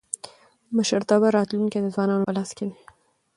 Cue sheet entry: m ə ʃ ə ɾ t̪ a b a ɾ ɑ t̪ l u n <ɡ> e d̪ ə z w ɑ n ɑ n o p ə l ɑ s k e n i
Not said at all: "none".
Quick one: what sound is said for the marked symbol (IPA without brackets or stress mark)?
k